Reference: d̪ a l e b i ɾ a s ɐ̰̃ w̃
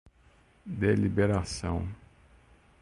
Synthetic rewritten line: d̪ e l i b e ɾ a s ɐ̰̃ w̃